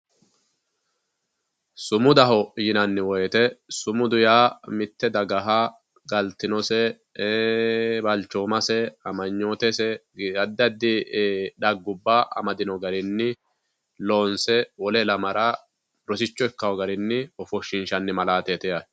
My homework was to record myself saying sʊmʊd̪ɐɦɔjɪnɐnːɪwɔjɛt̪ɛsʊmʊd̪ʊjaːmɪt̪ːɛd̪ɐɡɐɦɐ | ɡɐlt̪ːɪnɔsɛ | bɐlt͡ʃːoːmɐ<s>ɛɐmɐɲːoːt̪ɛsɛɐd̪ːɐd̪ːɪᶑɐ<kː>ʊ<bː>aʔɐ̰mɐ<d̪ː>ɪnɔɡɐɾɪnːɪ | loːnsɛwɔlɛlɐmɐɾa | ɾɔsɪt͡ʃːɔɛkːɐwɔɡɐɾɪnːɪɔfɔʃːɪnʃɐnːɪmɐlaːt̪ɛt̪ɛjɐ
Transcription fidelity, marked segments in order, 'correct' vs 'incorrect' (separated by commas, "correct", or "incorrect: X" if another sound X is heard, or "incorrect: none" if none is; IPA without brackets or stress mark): correct, incorrect: ɡː, correct, incorrect: d̪